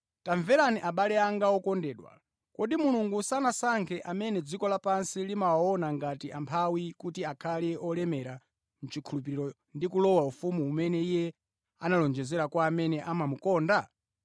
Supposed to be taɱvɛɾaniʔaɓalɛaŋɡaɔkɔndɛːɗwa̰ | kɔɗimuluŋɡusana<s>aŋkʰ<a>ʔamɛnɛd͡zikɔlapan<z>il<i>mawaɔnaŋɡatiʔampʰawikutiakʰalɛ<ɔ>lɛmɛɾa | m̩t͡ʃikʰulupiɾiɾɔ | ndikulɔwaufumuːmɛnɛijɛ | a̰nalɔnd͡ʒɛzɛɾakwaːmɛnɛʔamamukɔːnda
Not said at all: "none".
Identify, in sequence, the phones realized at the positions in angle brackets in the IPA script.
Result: s, ɛ, s, i, ɔ

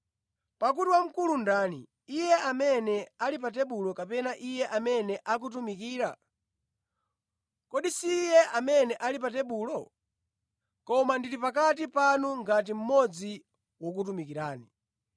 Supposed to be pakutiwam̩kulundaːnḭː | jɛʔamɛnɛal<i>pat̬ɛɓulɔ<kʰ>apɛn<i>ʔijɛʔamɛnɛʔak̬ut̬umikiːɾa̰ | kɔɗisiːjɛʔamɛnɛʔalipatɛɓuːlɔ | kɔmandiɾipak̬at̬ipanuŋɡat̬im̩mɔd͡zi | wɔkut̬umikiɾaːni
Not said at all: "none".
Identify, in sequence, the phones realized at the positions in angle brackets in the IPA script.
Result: i, k, a

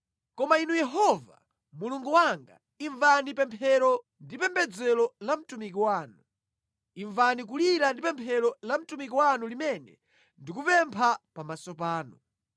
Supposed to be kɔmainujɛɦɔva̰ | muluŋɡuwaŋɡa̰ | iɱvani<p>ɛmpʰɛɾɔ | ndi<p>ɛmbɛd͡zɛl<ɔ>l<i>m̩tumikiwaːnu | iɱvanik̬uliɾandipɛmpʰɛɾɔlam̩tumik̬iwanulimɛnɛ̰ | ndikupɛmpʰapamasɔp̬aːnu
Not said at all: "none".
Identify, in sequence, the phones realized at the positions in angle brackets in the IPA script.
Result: p, p, ɔ, a

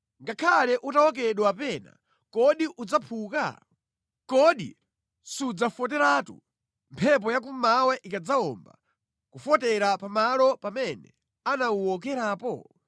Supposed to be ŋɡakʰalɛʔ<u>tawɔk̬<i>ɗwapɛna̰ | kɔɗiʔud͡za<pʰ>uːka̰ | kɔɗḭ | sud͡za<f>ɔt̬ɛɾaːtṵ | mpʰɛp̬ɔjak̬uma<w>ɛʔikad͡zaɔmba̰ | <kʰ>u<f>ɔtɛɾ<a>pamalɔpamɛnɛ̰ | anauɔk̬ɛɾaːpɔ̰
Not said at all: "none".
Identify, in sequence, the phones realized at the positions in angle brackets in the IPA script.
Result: u, ɛ, pʰ, f, w, k, f, a

